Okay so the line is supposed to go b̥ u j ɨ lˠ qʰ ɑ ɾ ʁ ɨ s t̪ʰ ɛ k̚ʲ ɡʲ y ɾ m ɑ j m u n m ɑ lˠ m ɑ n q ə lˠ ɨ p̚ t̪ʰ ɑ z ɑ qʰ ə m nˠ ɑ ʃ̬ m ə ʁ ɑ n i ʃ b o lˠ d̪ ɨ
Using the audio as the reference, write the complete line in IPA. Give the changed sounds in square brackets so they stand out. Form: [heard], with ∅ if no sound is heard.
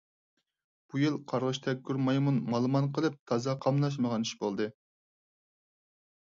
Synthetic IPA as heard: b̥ u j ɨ lˠ qʰ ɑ ɾ ʁ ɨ [ʃ] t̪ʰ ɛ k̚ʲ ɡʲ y ɾ m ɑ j m u n m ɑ lˠ m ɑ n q ə lˠ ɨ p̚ t̪ʰ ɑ z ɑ qʰ [ɑ] m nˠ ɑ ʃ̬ m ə ʁ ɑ n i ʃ b o lˠ d̪ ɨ